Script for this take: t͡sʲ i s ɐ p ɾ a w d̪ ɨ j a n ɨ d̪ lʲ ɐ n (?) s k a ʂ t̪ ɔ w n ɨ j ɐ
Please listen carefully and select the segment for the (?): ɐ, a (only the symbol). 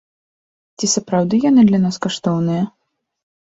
a